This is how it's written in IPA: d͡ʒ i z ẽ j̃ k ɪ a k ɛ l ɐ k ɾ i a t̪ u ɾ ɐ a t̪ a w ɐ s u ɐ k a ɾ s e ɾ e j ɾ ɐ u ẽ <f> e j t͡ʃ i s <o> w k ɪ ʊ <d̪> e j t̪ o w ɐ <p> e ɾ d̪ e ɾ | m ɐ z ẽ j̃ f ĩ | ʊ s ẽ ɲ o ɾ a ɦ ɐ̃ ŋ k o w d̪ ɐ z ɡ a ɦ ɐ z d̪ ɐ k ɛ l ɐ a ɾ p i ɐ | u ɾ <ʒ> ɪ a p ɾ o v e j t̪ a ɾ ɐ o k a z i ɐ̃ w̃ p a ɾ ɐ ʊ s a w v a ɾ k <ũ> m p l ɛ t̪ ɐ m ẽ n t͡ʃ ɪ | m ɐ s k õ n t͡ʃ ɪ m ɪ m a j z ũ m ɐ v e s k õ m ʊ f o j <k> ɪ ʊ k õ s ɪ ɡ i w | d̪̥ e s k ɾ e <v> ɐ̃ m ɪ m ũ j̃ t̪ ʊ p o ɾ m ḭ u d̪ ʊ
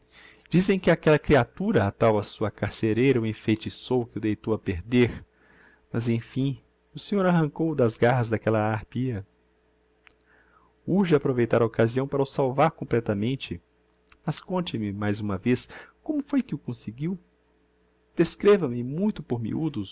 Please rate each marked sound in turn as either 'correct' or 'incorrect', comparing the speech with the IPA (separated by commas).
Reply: correct, correct, correct, correct, correct, incorrect, correct, correct